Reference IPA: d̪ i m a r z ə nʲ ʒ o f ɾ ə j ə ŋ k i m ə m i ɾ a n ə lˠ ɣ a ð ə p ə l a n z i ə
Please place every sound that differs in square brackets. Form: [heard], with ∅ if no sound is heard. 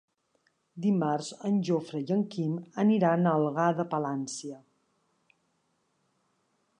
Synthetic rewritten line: d̪ i m a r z ə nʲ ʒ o f ɾ ə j ə ŋ k i m ə [n] i ɾ a n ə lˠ ɣ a ð ə p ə l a n [s] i ə